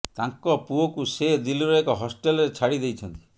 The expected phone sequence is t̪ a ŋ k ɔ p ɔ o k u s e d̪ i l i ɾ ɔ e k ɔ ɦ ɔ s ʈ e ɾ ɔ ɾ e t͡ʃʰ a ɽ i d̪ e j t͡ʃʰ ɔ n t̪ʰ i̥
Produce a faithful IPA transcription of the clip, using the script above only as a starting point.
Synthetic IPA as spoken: t̪ a ŋ k ɔ p u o k u s e d̪ i l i ɾ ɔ e k ɔ ɦ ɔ s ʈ e l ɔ ɾ e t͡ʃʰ a ɽ i d̪ e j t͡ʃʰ ɔ n t̪ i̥